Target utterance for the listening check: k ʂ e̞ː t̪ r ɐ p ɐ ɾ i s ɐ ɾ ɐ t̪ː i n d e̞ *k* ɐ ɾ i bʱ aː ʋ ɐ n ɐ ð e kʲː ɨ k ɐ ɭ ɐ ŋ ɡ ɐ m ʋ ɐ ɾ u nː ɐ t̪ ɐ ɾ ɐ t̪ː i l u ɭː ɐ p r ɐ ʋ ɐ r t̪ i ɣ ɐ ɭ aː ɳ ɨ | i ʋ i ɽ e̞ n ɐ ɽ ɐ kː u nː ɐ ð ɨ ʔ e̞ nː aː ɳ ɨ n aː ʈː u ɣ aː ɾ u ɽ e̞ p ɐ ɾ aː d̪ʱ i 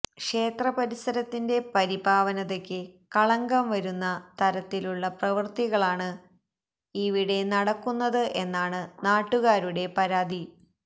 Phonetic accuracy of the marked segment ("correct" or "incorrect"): incorrect